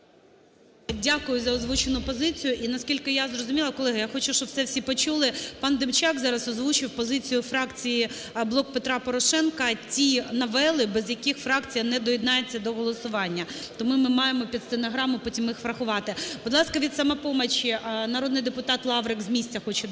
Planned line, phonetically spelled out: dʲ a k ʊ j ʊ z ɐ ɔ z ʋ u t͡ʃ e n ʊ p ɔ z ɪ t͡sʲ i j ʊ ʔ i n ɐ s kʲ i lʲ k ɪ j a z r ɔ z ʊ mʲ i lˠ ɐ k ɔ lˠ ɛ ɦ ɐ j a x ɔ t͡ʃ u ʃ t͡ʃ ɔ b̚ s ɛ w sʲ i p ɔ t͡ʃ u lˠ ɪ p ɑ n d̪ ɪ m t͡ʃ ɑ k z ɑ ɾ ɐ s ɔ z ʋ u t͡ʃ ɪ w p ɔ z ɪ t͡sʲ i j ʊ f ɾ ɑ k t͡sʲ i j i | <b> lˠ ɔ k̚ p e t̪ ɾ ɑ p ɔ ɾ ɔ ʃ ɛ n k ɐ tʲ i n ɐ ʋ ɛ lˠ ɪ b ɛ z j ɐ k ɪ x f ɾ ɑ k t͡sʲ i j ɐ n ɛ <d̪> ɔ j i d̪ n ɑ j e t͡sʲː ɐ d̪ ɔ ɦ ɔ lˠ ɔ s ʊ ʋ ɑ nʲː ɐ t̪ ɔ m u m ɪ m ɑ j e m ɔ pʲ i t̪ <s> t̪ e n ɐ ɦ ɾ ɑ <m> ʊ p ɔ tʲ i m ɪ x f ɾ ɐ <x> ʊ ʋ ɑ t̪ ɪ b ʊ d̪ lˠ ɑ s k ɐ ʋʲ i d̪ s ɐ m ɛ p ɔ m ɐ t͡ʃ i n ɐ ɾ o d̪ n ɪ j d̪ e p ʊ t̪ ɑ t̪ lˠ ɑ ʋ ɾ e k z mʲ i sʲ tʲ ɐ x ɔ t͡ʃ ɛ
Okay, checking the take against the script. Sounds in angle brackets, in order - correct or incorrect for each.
correct, correct, correct, correct, correct

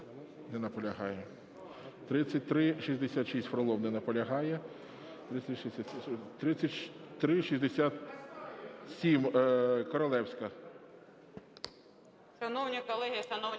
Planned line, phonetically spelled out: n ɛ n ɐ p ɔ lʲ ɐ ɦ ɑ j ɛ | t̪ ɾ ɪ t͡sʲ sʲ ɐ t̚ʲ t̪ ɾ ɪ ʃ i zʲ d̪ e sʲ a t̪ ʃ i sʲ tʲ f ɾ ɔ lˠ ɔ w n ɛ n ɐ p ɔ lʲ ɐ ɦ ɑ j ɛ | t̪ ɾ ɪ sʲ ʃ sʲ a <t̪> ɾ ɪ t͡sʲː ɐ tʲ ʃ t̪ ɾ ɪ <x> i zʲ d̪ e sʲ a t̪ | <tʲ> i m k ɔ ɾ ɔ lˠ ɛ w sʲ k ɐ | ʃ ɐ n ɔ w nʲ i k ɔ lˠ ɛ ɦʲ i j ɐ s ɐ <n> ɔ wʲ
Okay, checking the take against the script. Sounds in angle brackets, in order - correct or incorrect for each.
correct, incorrect: ʃ, incorrect: sʲ, correct

